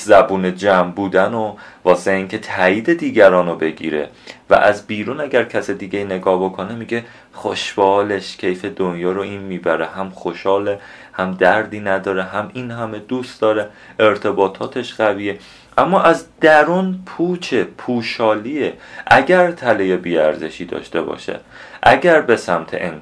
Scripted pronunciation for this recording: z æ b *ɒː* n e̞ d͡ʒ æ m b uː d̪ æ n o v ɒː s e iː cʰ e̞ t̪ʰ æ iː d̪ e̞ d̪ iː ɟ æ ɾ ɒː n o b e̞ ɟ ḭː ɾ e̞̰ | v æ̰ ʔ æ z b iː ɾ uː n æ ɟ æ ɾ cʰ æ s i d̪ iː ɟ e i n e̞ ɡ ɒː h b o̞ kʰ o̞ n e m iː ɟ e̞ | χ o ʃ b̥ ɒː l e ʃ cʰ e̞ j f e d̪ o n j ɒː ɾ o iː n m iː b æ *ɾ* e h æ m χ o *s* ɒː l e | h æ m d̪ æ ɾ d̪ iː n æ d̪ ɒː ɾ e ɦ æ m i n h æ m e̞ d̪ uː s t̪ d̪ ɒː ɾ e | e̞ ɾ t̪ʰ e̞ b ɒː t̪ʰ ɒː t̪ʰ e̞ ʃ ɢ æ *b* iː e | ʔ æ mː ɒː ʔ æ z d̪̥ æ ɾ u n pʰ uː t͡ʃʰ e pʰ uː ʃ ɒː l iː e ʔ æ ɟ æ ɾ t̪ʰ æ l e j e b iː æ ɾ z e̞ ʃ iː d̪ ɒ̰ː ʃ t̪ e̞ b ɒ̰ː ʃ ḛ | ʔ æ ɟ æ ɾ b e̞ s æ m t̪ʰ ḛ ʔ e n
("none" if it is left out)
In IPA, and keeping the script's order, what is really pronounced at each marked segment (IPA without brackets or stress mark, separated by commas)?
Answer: uː, ɾ, ʃ, v